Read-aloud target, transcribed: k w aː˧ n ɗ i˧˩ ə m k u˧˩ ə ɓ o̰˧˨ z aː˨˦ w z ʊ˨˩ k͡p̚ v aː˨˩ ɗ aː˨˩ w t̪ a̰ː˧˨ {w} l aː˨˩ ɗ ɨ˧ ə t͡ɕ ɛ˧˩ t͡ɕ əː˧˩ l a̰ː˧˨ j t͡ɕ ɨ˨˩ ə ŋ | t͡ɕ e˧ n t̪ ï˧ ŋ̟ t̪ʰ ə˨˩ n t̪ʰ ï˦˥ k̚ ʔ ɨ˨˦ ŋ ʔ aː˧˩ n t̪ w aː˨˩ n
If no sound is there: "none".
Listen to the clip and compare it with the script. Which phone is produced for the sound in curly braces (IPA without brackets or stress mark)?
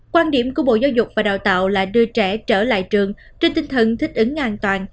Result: w